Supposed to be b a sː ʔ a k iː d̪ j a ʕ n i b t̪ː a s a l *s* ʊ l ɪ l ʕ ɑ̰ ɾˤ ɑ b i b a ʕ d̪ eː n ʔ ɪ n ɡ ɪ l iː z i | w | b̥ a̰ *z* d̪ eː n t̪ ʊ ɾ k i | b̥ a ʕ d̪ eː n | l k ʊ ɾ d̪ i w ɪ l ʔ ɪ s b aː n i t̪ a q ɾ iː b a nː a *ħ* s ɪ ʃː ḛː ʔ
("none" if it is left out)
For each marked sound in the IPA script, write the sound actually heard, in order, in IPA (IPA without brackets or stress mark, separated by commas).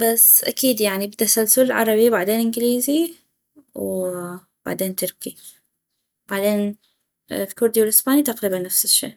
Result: s, ʕ, f